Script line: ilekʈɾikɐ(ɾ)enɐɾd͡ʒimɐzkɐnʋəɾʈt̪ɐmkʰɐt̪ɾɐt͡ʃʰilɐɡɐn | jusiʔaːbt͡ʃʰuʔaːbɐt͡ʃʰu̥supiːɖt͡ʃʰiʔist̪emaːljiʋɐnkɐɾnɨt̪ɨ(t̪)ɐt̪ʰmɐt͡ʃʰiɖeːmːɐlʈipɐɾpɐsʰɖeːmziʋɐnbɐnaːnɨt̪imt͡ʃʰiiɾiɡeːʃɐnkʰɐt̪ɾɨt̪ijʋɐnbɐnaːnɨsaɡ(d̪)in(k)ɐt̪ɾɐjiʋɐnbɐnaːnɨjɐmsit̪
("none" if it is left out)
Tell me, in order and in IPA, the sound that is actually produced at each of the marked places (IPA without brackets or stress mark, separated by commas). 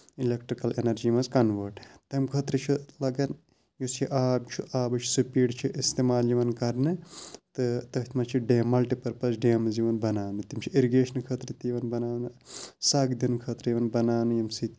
l, t̪, d̪, kʰ